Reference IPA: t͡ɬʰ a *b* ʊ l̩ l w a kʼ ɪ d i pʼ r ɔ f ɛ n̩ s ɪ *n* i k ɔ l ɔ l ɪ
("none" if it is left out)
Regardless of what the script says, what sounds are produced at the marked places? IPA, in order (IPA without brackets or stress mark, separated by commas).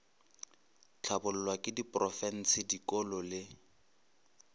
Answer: b, d